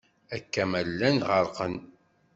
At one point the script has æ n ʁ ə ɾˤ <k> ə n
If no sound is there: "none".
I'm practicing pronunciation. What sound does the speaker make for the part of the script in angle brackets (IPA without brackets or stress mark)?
q